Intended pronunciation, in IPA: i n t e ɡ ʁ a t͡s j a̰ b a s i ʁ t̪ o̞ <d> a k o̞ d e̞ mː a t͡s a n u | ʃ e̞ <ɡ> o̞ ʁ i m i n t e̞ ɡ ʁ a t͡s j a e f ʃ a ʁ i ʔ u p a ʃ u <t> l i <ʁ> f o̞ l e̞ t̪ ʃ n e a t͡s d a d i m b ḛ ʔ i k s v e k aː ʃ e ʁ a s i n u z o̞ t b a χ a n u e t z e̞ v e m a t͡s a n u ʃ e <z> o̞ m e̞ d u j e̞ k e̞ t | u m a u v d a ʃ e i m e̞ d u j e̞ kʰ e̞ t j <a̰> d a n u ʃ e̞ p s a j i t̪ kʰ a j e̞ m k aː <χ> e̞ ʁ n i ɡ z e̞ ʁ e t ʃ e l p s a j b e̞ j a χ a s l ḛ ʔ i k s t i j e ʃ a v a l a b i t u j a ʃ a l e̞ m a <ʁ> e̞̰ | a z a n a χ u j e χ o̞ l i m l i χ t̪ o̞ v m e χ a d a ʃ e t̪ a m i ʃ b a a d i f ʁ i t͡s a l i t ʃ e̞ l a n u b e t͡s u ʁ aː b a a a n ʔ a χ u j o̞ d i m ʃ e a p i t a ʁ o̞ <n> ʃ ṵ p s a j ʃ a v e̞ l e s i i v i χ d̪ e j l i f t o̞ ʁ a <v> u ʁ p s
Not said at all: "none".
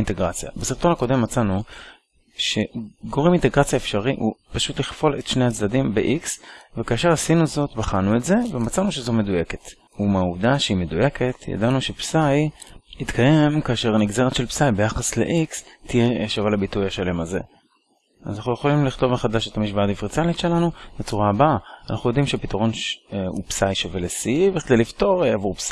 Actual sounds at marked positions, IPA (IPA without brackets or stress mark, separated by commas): n, ɡ, t, χ, z, a̰, ʃ, z, n, v